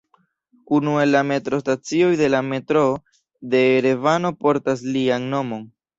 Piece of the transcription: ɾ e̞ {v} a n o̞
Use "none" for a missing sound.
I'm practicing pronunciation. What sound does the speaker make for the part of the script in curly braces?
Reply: v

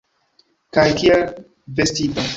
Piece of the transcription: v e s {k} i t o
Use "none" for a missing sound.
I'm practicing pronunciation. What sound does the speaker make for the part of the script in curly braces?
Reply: t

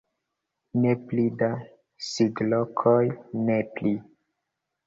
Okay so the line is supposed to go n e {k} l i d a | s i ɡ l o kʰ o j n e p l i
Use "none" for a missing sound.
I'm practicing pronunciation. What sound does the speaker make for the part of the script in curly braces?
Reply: p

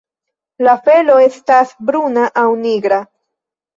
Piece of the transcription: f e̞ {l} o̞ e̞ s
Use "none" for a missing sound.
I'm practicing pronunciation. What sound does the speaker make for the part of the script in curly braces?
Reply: l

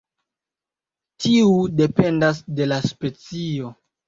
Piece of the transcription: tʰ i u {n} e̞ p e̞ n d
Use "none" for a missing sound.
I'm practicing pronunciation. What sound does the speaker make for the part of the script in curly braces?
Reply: d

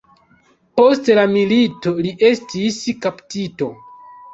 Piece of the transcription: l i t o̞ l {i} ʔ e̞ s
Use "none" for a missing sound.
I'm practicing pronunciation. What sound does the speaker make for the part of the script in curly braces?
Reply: i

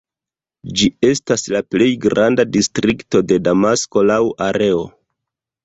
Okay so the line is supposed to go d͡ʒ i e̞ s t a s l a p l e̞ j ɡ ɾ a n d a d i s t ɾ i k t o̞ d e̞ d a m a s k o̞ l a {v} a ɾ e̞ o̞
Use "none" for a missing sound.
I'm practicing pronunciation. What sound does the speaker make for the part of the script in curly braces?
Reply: w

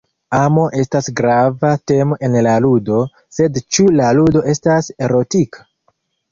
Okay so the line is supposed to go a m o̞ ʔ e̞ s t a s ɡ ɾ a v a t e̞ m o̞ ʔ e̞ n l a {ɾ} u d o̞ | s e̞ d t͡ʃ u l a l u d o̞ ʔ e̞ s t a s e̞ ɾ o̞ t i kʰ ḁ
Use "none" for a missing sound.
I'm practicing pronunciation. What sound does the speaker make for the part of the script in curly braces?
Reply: l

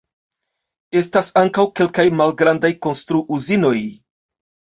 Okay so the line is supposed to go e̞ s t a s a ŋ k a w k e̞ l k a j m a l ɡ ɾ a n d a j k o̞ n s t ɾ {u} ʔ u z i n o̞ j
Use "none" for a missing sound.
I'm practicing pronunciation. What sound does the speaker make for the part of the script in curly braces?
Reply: u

